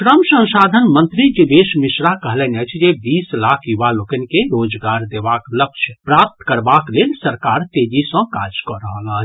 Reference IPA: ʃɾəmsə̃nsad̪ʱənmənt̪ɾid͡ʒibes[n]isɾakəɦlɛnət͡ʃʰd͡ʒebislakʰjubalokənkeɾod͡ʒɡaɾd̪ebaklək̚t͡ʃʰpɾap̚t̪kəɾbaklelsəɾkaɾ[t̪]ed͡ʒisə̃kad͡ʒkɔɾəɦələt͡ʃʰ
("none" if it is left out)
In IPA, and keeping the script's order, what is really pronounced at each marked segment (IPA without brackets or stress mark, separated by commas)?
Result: m, t̪